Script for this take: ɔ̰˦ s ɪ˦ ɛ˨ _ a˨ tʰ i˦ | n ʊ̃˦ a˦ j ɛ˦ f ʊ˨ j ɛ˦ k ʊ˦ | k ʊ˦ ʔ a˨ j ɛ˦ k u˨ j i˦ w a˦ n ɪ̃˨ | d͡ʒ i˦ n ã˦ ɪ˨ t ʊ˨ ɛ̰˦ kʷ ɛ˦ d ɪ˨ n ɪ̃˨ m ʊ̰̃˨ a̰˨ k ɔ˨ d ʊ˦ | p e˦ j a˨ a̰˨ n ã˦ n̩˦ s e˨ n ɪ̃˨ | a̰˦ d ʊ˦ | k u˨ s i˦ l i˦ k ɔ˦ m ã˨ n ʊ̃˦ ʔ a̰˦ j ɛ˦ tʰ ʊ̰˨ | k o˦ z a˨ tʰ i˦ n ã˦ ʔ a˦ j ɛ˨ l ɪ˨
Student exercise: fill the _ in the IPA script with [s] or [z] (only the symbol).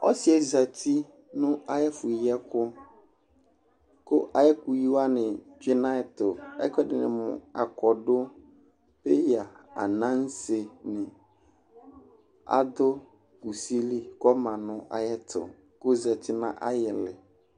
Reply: z